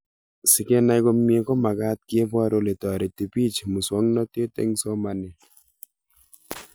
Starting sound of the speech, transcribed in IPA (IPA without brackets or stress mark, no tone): s